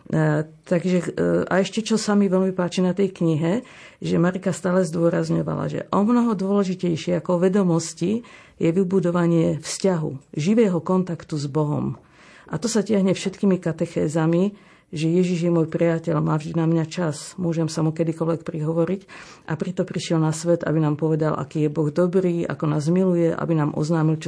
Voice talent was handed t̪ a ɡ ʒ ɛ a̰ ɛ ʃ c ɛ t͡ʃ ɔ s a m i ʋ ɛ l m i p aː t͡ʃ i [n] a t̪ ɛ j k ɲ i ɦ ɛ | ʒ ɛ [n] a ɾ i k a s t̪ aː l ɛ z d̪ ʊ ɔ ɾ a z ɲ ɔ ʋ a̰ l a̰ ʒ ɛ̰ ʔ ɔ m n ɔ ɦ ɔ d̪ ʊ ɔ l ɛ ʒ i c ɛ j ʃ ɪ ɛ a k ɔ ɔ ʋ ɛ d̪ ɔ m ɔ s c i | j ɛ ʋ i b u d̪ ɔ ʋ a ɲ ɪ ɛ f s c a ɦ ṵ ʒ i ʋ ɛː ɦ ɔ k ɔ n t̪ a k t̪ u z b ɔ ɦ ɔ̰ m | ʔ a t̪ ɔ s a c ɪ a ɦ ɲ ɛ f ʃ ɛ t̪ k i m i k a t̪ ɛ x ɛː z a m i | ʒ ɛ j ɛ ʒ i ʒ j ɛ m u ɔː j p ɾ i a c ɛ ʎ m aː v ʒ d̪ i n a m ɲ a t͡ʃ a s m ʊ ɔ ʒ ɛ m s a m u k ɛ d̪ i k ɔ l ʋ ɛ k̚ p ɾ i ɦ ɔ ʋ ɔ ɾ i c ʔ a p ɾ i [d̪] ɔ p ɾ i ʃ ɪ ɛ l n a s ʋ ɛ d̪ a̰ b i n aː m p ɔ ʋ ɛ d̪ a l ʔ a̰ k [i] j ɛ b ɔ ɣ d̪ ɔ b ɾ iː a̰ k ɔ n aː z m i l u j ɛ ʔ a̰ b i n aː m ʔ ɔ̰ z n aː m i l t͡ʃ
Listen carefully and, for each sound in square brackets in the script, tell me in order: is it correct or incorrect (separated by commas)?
correct, incorrect, incorrect, incorrect